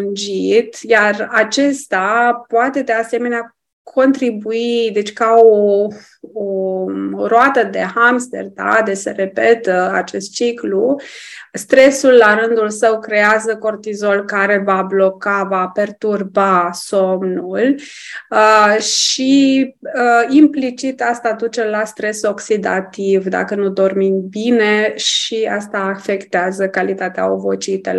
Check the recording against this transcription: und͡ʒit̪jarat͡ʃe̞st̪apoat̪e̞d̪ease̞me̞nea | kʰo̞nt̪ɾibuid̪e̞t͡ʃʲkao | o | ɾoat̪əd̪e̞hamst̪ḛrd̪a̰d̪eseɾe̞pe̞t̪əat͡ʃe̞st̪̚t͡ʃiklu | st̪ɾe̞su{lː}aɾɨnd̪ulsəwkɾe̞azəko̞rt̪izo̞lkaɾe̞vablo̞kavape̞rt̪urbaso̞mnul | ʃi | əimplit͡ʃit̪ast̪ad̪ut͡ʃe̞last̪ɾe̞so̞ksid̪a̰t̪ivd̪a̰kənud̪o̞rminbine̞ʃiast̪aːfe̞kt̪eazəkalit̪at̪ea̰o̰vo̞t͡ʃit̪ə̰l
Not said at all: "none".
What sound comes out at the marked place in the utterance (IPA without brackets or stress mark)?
lː